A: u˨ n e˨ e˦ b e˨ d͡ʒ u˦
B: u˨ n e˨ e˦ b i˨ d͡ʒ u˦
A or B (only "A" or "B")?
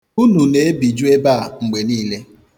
B